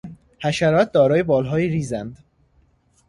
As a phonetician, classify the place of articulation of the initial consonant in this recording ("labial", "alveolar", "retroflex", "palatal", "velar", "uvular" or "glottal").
glottal